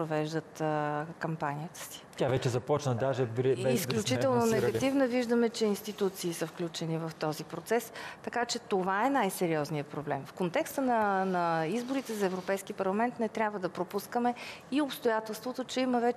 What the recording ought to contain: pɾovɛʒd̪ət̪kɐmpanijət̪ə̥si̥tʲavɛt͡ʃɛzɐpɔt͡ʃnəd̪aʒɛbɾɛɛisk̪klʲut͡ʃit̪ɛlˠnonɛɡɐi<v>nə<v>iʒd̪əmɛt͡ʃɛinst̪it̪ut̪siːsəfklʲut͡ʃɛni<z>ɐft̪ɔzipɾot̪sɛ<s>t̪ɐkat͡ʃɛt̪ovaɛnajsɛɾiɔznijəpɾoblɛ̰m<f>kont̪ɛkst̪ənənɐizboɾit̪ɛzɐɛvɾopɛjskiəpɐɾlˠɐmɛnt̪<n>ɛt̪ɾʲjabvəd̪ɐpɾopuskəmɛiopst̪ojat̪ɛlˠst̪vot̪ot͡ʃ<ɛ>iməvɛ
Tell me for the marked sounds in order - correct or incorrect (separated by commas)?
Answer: correct, correct, incorrect, correct, correct, correct, correct